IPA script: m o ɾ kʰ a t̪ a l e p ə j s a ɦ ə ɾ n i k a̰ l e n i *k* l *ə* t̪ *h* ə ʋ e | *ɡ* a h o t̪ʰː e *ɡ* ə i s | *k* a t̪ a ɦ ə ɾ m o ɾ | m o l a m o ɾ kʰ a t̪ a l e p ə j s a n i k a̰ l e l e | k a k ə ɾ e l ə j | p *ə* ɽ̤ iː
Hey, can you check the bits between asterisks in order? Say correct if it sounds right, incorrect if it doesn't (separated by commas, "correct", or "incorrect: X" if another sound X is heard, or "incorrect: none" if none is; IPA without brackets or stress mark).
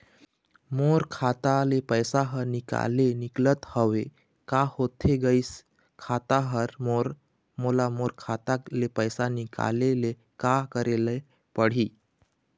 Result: correct, correct, correct, incorrect: k, correct, incorrect: kʰ, correct